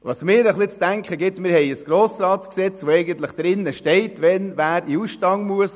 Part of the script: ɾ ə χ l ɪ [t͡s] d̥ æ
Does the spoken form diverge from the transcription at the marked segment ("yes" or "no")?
no